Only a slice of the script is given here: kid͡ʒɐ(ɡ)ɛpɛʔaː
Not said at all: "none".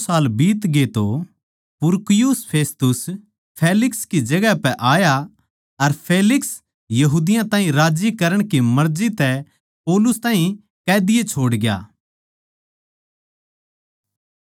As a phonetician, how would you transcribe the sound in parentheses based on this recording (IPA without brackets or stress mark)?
ɡ